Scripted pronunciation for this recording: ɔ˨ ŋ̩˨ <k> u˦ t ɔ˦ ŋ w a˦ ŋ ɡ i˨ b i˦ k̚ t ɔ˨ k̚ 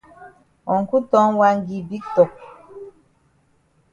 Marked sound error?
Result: no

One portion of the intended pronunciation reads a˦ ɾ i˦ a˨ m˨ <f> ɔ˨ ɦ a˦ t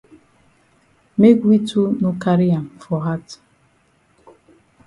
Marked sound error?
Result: no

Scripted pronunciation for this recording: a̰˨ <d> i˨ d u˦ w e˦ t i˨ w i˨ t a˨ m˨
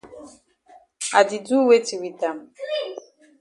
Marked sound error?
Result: no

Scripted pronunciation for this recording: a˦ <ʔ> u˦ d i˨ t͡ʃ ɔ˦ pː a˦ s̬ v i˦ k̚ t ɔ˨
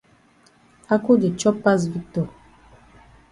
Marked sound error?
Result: yes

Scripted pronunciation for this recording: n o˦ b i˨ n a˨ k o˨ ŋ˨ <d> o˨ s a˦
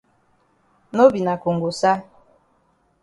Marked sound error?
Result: yes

